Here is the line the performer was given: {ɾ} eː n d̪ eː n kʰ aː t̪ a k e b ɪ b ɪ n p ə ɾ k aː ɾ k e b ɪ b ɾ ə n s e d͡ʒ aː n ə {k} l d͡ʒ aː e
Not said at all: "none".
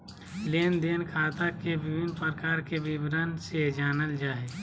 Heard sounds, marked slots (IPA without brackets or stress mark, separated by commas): l, none